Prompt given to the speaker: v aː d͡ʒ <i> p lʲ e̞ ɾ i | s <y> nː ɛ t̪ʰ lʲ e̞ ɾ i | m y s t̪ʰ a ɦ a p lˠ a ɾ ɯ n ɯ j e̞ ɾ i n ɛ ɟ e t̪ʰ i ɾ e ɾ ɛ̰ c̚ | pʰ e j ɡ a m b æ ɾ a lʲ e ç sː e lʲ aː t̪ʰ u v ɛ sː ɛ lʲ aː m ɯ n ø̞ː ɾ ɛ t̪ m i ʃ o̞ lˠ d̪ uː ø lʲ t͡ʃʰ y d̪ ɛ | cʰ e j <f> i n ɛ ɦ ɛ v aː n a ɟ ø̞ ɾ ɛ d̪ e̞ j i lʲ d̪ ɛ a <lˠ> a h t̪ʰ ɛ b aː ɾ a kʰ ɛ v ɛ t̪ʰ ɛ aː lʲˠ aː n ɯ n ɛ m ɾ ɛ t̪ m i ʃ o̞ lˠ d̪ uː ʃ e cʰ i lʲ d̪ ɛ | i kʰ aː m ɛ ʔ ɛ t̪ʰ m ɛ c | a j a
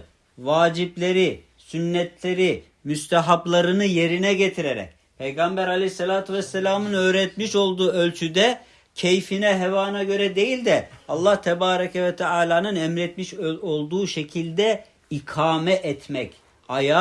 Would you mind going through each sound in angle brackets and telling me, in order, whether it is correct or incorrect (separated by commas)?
correct, correct, correct, incorrect